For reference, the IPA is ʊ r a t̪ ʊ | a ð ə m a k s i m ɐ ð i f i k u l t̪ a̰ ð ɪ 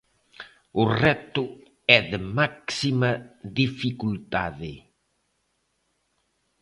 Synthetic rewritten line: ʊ r ɛ t̪ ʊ | ɛ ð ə m a k s i m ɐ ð i f i k u l t̪ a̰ ð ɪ